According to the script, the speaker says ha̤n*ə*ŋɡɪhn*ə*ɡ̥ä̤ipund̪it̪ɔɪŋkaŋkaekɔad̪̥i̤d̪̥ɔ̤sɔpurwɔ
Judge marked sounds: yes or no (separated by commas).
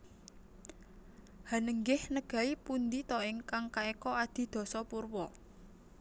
yes, yes